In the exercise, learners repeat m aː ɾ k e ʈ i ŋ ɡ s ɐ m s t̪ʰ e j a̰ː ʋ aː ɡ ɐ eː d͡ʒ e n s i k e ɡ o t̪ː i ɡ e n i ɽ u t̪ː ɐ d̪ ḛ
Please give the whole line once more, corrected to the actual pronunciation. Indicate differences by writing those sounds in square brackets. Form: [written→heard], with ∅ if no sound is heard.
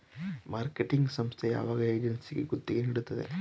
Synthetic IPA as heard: m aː ɾ k e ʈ i ŋ ɡ s ɐ m s t̪ʰ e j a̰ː ʋ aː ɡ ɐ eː d͡ʒ e n s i [k→ɡ] e ɡ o t̪ː i ɡ e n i ɽ u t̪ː ɐ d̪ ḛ